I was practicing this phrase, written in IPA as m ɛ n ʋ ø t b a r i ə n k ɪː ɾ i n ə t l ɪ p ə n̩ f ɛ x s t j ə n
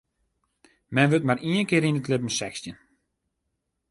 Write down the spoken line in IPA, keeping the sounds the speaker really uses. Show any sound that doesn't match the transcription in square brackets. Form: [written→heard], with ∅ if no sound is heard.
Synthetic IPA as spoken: m ɛ n ʋ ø t [b→m] a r i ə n k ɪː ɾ i n ə t l ɪ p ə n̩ [f→s] ɛ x s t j ə n